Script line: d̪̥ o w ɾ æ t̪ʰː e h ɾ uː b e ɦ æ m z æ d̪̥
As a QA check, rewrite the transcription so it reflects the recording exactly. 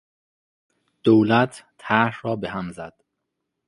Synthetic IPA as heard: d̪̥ o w l æ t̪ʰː æ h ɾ ɒː b e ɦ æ m z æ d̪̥